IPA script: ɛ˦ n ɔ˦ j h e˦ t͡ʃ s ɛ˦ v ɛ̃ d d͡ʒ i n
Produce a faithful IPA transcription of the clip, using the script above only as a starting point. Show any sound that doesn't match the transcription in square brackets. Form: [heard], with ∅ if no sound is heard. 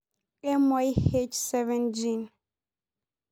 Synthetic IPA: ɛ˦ [m] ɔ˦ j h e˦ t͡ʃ s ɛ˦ v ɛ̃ [n] d͡ʒ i n